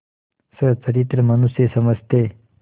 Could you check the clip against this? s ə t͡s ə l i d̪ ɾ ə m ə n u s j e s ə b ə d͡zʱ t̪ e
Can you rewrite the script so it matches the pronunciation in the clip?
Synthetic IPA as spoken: s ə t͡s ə ɾ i t̪ ɾ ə m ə n u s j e s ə m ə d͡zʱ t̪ e